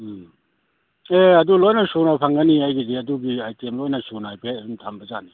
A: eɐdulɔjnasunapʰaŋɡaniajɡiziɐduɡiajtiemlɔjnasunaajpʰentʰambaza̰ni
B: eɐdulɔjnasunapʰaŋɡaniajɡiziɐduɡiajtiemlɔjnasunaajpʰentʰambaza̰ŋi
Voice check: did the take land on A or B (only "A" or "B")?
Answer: A